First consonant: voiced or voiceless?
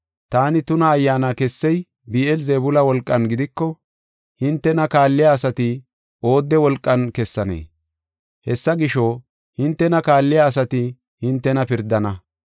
voiceless